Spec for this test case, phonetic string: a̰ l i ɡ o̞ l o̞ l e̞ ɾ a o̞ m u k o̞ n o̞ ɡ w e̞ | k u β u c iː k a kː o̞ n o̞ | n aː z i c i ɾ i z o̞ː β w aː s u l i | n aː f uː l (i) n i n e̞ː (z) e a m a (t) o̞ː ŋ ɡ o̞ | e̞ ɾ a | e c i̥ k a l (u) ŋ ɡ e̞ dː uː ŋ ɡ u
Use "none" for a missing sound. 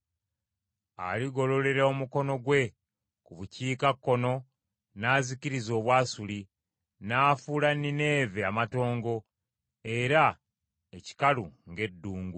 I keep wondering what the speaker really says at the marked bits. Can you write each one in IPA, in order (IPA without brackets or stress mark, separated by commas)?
a, v, t, u